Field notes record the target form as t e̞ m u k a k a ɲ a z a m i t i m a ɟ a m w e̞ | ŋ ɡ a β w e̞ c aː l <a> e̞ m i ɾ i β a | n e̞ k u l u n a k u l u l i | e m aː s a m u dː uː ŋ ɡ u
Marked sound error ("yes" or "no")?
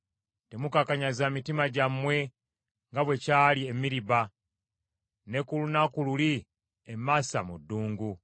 yes